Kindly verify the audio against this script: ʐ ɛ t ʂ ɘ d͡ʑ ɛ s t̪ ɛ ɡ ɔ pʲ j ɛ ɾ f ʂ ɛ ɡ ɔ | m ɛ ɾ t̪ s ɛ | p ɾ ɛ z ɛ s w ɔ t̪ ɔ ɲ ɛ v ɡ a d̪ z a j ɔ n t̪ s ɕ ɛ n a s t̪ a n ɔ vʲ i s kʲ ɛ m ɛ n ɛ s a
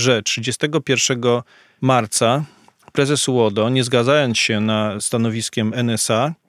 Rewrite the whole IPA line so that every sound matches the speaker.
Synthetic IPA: ʐ ɛ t ʂ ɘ d͡ʑ ɛ s t̪ ɛ ɡ ɔ pʲ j ɛ ɾ f ʂ ɛ ɡ ɔ | m a ɾ t̪ s a | p ɾ ɛ z ɛ s w ɔ d̪ ɔ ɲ ɛ z ɡ a d̪ z a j ɔ n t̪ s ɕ ɛ n a s t̪ a n ɔ vʲ i s kʲ ɛ m ɛ n ɛ s a